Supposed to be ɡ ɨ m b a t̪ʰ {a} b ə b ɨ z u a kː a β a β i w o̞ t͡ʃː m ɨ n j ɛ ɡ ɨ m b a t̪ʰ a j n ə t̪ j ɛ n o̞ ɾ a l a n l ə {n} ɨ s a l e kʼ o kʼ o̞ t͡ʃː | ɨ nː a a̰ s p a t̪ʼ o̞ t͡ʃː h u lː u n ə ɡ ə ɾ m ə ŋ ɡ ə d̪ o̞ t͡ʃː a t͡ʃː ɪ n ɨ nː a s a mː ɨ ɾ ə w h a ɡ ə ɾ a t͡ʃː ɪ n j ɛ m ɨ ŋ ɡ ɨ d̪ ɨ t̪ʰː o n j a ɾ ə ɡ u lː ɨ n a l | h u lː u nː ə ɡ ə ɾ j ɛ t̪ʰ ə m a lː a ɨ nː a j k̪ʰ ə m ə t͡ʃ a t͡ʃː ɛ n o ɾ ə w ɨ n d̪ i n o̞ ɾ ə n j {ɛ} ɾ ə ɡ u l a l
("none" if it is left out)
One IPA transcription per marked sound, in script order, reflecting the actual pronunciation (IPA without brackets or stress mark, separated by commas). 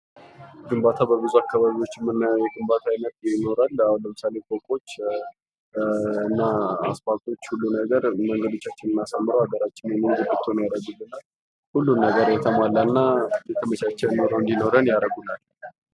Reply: a, m, a